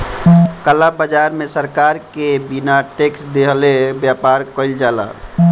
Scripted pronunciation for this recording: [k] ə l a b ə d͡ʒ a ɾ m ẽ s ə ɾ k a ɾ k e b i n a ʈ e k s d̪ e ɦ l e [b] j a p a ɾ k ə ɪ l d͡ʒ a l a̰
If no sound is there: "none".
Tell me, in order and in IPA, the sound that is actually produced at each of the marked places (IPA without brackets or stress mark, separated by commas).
k, b